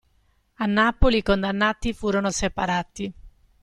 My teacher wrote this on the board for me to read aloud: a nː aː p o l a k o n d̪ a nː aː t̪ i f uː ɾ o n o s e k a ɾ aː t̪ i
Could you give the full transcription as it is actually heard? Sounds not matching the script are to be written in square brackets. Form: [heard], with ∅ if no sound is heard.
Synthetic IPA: a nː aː p o l [i] k o n d̪ a nː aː t̪ i f uː ɾ o n o s e [p] a ɾ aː t̪ i

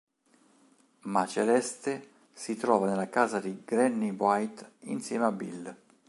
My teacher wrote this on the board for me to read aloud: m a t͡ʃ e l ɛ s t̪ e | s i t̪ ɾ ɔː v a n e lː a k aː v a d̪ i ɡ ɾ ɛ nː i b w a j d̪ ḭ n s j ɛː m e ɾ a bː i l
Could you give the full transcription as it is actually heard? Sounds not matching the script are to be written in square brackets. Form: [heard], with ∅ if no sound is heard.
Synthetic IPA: m a t͡ʃ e l ɛ s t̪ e | s i t̪ ɾ ɔː v a n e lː a k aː [z] a d̪ i ɡ ɾ ɛ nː i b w a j [t̪] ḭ n s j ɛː m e [∅] a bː i l

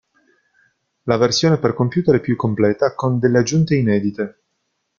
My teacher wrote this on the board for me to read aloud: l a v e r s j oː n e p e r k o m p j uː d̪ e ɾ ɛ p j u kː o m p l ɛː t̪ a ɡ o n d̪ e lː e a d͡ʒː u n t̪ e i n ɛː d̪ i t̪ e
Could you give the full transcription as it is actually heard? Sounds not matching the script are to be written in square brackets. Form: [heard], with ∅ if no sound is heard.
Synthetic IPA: l a v e r s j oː n e p e r k o m p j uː [t̪] e ɾ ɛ p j u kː o m p l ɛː t̪ a [k] o n d̪ e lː e a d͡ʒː u n t̪ e i n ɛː d̪ i t̪ e

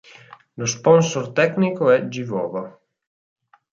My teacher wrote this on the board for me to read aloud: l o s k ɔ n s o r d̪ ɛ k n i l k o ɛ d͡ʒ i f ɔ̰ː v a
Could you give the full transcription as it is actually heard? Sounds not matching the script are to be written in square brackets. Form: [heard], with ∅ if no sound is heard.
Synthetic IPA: l o s [p] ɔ n s o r [t̪] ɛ k n i [∅] k o ɛ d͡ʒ i [v] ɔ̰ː v a

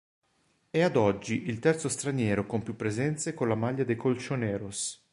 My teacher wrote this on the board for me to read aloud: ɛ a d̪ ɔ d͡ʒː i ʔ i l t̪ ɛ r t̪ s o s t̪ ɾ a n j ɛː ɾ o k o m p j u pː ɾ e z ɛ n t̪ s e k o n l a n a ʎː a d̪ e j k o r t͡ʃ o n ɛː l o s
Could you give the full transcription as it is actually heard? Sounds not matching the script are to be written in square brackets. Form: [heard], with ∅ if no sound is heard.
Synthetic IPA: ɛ a d̪ ɔ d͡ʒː i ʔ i l t̪ ɛ r t̪ s o s t̪ ɾ a n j ɛː ɾ o k o m p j u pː ɾ e z ɛ n t̪ s e k o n l a [m] a ʎː a d̪ e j k o [l] t͡ʃ o n ɛː [ɾ] o s

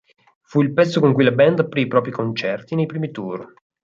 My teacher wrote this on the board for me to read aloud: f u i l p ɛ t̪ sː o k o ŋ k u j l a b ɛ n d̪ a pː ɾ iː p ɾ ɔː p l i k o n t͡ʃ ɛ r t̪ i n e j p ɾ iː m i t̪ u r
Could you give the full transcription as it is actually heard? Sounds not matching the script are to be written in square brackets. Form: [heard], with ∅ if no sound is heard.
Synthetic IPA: f u i l p ɛ t̪ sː o k o ŋ k u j l a b ɛ n d̪ a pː ɾ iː p ɾ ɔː p [ɾ] i k o n t͡ʃ ɛ r t̪ i n e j p ɾ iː m i t̪ u r

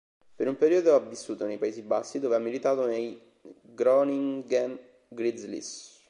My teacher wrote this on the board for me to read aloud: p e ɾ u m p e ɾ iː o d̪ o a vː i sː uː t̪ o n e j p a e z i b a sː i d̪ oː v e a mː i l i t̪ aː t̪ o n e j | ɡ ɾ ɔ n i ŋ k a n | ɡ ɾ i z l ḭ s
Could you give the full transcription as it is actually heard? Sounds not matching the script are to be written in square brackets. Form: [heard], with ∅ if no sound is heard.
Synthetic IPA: p e ɾ u m p e ɾ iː o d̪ o a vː i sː uː t̪ o n e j p a e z i b a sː i d̪ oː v e a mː i l i t̪ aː t̪ o n e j | ɡ ɾ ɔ n i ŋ [ɡ] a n | ɡ ɾ i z l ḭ s

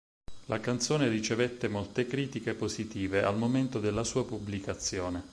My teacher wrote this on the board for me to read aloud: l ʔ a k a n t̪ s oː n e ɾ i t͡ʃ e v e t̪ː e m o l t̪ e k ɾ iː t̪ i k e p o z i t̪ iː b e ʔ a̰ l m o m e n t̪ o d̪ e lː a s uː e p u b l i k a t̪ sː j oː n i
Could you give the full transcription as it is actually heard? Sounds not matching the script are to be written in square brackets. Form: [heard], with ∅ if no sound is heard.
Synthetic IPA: l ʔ a k a n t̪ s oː n e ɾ i t͡ʃ e v e t̪ː e m o l t̪ e k ɾ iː t̪ i k e p o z i t̪ iː [v] e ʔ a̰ l m o m e n t̪ o d̪ e lː a s uː [a] p u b l i k a t̪ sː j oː n [e]

